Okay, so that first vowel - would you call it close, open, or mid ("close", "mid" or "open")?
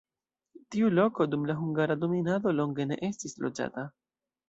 close